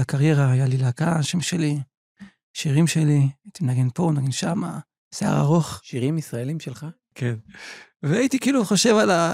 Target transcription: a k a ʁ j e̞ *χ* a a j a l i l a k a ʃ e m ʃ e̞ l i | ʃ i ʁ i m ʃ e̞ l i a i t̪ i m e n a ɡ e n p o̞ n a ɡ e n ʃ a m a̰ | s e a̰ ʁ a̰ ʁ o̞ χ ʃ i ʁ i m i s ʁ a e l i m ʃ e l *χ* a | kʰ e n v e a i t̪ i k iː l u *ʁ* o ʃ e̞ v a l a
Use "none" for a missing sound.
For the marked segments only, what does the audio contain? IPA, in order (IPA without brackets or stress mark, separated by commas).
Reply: ʁ, χ, χ